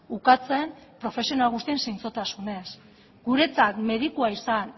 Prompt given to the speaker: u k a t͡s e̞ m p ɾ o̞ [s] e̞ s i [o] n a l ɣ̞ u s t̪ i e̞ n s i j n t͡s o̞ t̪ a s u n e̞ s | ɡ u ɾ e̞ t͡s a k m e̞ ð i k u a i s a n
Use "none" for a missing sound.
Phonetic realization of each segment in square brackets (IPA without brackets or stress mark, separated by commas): f, o